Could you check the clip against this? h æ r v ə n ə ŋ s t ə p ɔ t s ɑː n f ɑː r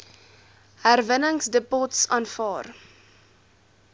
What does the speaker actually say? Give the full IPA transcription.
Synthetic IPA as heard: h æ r v ə n ə ŋ s d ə p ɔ t s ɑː n f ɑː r